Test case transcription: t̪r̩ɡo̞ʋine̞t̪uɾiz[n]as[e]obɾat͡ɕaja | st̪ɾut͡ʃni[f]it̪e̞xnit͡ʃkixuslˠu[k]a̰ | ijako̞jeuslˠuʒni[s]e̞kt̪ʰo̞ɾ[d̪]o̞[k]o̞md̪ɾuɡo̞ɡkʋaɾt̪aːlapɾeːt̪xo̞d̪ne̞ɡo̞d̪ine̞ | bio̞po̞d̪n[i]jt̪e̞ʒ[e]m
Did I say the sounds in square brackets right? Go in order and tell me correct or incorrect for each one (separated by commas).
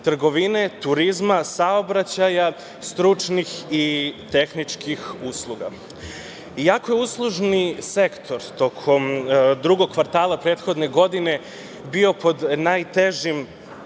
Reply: incorrect, incorrect, incorrect, incorrect, correct, incorrect, incorrect, incorrect, incorrect